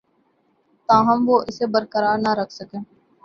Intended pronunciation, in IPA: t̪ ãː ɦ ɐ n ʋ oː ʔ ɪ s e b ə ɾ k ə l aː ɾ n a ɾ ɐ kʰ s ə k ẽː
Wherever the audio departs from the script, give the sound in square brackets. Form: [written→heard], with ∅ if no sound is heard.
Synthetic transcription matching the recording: t̪ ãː ɦ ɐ [n→m] ʋ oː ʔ ɪ s e b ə ɾ k ə [l→ɾ] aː ɾ n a ɾ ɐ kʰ s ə k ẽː